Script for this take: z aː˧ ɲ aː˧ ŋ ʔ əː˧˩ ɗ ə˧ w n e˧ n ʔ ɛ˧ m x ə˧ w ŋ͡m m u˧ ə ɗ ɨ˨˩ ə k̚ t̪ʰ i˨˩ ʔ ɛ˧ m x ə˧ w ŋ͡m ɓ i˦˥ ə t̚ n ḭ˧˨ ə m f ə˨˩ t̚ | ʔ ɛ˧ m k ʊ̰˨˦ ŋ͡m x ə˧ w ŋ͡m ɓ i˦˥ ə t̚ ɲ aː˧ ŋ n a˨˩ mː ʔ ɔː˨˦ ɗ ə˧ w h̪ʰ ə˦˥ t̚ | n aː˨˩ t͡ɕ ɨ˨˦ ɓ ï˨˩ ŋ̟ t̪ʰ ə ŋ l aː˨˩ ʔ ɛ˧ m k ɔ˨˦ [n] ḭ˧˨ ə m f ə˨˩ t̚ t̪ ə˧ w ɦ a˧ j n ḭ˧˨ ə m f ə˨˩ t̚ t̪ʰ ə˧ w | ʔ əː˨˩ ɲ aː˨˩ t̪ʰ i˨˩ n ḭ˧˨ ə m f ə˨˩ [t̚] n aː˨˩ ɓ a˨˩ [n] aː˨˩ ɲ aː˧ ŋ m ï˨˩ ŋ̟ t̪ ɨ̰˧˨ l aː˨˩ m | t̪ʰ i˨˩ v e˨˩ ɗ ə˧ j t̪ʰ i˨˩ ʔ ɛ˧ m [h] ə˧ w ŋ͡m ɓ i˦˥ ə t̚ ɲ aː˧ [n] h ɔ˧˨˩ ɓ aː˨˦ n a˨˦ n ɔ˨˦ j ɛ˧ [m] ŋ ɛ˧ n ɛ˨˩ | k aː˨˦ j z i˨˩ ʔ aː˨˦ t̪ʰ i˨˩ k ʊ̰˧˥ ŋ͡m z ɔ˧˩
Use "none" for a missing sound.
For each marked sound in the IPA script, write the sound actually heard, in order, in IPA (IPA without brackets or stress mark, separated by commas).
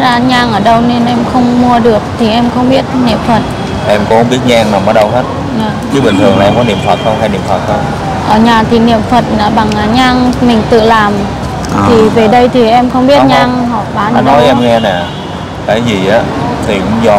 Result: n, t̚, ŋ, x, ŋ, m